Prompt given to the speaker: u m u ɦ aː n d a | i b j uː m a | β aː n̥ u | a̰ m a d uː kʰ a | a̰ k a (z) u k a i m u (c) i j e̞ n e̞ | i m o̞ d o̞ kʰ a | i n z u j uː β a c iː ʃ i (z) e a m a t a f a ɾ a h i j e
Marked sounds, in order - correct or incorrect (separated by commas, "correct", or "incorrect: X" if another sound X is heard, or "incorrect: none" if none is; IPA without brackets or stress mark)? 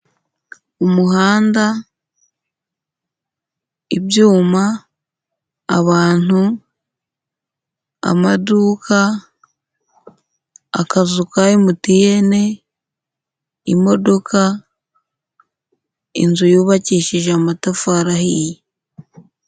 correct, incorrect: t, incorrect: ʒ